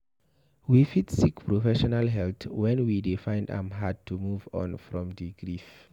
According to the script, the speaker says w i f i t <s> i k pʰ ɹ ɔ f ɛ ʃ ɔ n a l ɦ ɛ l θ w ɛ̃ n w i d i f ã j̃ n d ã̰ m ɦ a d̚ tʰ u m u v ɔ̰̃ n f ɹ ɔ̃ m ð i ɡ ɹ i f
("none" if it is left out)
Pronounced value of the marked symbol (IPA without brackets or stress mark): s